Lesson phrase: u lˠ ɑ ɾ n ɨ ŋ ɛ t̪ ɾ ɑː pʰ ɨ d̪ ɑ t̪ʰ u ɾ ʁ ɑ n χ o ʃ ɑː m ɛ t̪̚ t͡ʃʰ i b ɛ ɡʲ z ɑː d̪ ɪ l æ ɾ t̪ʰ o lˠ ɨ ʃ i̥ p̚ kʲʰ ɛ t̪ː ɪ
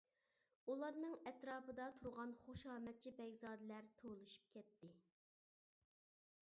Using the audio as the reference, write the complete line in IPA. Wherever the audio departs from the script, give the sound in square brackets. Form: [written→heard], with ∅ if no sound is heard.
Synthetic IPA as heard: u lˠ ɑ ɾ n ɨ ŋ ɛ t̪ ɾ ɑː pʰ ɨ d̪ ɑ t̪ʰ u ɾ ʁ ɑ n χ o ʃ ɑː m ɛ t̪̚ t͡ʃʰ i b ɛ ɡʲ z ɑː d̪ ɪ l æ ɾ t̪ʰ o lˠ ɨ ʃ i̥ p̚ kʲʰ ɛ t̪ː ɪ